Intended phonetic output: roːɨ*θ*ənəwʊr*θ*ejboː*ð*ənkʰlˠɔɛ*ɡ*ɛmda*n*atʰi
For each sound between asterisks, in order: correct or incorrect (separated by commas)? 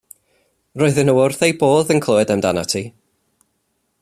incorrect, correct, correct, incorrect, correct